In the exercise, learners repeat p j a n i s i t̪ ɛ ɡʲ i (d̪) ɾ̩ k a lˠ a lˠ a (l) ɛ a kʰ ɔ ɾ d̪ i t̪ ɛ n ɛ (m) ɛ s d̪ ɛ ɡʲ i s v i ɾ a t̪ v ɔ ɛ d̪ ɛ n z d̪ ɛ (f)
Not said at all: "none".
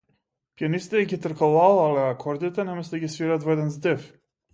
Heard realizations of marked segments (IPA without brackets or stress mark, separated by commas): t̪, l, m, f